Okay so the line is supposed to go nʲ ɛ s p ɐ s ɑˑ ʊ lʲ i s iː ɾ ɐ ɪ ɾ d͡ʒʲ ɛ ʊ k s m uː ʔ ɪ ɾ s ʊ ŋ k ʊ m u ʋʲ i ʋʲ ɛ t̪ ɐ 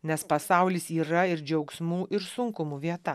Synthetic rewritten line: nʲ ɛ s p ɐ s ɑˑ ʊ lʲ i s iː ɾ ɐ ɪ ɾ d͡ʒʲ ɛ ʊ k s m uː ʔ ɪ ɾ s ʊ ŋ k ʊ m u ʋʲ i ɛ t̪ ɐ